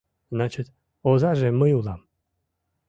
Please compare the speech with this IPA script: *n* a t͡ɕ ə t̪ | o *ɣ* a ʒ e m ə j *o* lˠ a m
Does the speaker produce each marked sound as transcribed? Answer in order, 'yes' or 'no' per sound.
yes, no, no

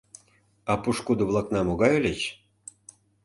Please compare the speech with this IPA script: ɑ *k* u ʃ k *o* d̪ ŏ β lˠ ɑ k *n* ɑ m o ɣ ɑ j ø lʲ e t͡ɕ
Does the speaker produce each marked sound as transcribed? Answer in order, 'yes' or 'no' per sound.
no, no, yes

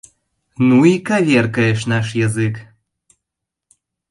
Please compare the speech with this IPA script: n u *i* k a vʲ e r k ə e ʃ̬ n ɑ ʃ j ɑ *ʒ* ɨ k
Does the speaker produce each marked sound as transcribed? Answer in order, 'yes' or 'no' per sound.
yes, no

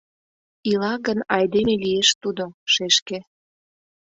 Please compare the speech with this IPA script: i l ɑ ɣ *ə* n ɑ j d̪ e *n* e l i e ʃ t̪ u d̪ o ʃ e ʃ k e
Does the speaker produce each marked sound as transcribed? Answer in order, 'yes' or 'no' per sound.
yes, no

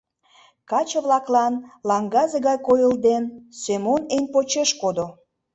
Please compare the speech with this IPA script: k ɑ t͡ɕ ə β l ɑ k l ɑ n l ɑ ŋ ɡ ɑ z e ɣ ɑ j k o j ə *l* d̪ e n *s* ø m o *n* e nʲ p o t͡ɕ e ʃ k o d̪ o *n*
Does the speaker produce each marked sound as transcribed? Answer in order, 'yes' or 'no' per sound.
yes, yes, yes, no

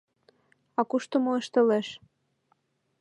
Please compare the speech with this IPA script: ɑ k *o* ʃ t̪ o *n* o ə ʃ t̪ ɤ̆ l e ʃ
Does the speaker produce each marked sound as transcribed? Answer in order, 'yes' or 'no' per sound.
no, no

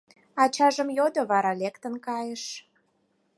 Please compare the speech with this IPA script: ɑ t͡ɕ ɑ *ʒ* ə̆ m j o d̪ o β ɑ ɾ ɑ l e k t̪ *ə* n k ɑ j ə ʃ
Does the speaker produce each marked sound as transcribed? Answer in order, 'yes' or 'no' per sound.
yes, yes

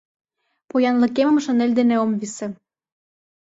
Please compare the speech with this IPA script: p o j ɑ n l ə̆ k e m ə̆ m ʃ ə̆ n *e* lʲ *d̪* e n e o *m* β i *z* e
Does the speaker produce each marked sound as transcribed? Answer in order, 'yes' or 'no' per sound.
yes, yes, yes, no

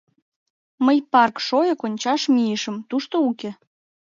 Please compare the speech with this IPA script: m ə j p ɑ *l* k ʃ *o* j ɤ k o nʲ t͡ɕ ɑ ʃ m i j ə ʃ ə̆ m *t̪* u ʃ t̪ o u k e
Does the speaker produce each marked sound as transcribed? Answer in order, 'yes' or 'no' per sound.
no, yes, yes

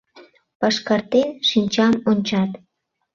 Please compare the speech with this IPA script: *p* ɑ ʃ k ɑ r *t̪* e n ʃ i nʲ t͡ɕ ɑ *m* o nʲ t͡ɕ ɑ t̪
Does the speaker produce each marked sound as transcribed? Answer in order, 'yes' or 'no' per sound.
yes, yes, yes

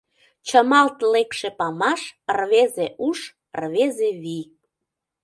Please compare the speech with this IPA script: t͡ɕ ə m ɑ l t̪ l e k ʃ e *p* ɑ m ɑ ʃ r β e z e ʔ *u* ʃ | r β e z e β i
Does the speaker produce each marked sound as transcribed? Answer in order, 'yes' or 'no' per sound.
yes, yes

